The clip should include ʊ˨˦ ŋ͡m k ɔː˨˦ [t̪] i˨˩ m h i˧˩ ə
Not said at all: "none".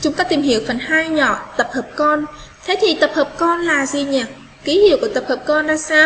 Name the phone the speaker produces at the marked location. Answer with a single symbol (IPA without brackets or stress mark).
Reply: t̪